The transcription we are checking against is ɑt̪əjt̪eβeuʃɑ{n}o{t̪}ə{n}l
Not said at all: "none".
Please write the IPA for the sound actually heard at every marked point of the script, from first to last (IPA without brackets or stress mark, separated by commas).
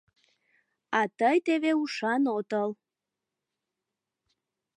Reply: n, t̪, none